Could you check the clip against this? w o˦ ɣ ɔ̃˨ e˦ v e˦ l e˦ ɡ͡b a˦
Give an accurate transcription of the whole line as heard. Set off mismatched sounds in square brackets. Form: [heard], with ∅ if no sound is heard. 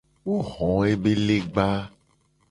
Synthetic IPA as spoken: w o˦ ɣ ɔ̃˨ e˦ [b] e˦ l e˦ ɡ͡b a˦